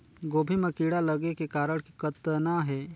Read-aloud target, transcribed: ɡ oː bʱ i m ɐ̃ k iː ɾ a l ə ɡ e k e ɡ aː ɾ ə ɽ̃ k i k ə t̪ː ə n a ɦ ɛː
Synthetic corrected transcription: ɡ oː bʱ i m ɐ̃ k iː ɽ a l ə ɡ e k e k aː ɾ ə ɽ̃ k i k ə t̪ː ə n a ɦ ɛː